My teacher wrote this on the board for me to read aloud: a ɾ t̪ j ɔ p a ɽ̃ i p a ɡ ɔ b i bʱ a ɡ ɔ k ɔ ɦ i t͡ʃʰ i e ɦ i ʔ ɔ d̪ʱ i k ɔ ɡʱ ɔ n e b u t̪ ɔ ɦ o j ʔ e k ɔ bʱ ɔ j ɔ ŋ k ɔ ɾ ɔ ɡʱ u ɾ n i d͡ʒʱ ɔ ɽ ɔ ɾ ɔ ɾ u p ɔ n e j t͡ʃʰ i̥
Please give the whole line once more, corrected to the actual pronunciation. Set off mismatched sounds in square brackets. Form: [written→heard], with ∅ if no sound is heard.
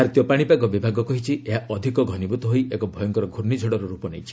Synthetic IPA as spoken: a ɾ t̪ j ɔ p a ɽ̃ i p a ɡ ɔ b i bʱ a ɡ ɔ k ɔ ɦ i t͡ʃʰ i e ɦ [i→a] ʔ ɔ d̪ʱ i k ɔ ɡʱ ɔ n [e→i] b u t̪ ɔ ɦ o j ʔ e k ɔ bʱ ɔ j ɔ ŋ k ɔ ɾ ɔ ɡʱ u ɾ n i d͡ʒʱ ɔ ɽ ɔ ɾ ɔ ɾ u p ɔ n e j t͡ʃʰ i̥